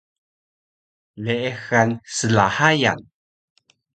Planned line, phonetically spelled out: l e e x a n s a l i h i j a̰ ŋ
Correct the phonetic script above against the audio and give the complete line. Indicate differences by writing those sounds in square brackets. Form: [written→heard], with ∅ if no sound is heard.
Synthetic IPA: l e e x a n s [a→ə] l [i→a] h [i→a] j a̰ [ŋ→n]